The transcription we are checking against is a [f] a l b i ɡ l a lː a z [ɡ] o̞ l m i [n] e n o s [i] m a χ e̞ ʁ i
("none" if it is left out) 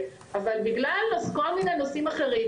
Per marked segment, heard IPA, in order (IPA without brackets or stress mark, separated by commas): v, k, n, i